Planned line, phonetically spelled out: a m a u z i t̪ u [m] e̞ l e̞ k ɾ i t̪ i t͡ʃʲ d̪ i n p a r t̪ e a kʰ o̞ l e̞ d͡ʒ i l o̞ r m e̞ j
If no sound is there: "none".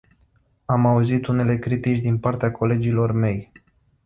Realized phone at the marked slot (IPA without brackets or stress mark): n